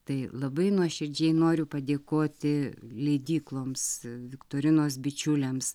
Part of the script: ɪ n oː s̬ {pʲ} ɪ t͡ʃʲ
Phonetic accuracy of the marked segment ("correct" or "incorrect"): incorrect